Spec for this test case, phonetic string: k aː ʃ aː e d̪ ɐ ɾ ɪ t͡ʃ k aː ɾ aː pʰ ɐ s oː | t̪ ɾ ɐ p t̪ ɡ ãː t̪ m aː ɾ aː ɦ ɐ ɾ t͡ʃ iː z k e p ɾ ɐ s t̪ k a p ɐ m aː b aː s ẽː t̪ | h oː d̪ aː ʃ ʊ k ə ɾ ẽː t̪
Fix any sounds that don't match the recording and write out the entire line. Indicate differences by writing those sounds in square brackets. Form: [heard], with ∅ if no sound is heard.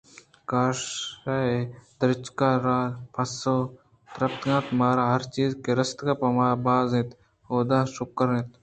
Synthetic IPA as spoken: k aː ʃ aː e d̪ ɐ ɾ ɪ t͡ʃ k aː ɾ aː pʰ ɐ s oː | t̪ ɾ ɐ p t̪ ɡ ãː t̪ m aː ɾ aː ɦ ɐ ɾ t͡ʃ iː z k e [∅] ɾ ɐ s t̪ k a p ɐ m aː b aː [z] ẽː t̪ | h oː d̪ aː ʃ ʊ k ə ɾ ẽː t̪